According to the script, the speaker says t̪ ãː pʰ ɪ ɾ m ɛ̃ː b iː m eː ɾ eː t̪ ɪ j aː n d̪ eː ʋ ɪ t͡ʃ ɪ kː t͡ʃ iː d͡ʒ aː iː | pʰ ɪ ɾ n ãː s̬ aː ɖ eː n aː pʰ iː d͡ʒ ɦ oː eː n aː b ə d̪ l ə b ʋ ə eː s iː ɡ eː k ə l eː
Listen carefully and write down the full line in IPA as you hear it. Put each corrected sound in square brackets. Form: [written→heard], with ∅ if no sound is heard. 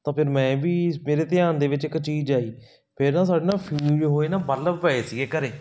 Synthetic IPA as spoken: t̪ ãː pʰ ɪ ɾ m ɛ̃ː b iː m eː ɾ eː t̪ ɪ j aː n d̪ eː ʋ ɪ t͡ʃ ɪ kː t͡ʃ iː d͡ʒ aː iː | pʰ ɪ ɾ n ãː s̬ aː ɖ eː n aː pʰ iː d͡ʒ ɦ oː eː n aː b ə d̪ l ə b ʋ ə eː s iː ɡ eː k ə [l→ɾ] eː